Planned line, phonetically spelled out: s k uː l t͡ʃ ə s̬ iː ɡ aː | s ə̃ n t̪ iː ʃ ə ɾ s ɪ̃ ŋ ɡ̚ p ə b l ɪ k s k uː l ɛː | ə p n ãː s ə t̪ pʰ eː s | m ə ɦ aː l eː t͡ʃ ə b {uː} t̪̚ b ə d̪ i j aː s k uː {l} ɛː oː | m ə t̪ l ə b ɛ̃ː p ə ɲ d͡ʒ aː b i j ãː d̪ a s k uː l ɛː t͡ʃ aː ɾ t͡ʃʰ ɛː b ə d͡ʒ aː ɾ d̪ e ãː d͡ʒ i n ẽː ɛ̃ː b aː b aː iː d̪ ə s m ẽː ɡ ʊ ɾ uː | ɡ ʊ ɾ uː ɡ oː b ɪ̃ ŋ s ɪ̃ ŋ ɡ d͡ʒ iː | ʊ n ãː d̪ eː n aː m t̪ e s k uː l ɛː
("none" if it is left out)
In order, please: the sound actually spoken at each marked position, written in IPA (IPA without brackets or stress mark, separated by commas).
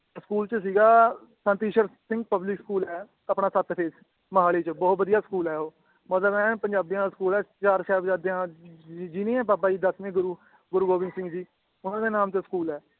ɔː, l